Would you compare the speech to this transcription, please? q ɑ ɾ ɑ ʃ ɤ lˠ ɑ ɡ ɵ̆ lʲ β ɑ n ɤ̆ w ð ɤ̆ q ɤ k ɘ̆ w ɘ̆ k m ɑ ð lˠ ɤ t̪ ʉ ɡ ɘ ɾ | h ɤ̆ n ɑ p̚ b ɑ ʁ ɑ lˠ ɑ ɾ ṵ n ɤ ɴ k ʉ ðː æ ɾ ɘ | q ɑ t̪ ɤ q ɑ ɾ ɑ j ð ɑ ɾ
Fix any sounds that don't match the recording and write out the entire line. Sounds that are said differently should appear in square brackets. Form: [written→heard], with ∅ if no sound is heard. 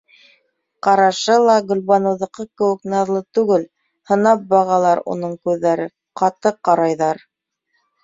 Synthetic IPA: q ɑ ɾ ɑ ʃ ɤ lˠ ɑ ɡ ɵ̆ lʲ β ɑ n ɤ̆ w ð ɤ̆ q ɤ k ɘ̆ w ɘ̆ k [m→n] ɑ ð lˠ ɤ t̪ ʉ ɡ ɘ [ɾ→l] | h ɤ̆ n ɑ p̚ b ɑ ʁ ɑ lˠ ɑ ɾ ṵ n ɤ ɴ k ʉ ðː æ ɾ ɘ | q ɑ t̪ ɤ q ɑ ɾ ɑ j ð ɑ ɾ